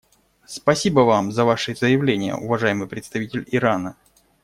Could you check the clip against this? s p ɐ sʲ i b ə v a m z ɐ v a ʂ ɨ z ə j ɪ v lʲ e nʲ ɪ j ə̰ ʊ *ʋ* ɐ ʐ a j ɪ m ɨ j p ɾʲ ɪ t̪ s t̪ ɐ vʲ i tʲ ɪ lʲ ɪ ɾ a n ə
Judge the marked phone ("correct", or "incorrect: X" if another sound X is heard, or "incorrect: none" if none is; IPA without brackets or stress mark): incorrect: v